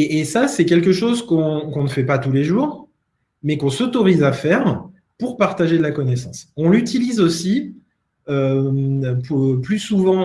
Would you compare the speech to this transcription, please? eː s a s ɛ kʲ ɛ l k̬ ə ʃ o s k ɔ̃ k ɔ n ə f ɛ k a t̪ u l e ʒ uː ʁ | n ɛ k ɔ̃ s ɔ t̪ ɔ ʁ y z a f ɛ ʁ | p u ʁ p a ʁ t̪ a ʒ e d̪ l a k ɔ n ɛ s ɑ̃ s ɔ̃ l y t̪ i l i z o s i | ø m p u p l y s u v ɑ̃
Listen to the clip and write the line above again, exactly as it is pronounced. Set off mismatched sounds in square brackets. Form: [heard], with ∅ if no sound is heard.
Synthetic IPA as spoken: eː s a s ɛ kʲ ɛ l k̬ ə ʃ o [z] k ɔ̃ k [ɔ̃] n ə f ɛ [p] a t̪ u l e ʒ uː ʁ | [m] ɛ k ɔ̃ s ɔ t̪ ɔ ʁ [i] z a f ɛ ʁ | p u ʁ p a ʁ t̪ a ʒ e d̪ l a k ɔ n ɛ s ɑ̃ s ɔ̃ l y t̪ i l i z o s i | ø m p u p l y s u v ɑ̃